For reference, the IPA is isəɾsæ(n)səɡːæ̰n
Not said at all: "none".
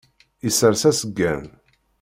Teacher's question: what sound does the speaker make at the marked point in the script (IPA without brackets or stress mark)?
none